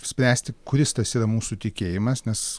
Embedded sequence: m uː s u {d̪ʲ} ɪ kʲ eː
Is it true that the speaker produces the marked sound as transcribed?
no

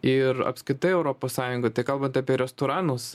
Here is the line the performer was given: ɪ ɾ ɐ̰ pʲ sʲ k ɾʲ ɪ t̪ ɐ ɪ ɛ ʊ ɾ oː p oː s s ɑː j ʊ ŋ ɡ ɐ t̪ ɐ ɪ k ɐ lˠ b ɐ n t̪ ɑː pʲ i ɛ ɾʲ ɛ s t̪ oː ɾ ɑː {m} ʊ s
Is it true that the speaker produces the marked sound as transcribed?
no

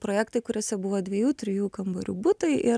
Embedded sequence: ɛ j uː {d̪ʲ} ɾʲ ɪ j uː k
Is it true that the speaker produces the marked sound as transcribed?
no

